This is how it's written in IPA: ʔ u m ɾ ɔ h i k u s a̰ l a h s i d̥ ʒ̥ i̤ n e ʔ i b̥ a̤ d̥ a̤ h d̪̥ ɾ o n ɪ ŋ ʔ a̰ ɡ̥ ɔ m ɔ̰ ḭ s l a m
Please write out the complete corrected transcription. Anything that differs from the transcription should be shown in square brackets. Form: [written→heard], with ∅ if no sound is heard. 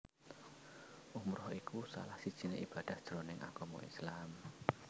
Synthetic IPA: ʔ u m ɾ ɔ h i k u s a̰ l a h s i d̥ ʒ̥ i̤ n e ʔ i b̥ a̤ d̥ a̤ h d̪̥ ɾ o n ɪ ŋ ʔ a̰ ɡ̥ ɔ m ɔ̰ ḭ s l a m